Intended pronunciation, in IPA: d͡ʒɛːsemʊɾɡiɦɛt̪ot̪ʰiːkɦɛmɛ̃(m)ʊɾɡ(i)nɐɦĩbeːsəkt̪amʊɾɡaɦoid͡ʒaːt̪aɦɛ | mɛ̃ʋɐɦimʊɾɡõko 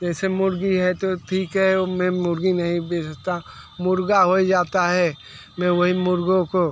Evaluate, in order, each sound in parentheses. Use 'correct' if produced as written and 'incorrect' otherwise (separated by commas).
correct, correct